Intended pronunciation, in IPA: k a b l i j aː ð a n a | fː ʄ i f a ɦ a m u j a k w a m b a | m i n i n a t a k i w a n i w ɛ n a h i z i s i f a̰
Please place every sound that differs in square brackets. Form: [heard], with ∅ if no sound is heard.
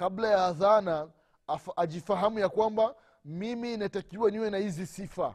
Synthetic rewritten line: k a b l [a] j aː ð a n a | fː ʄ i f a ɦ a m u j a k w a m b a | m i [m] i n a t a k i w a n i w ɛ n a h i z i s i f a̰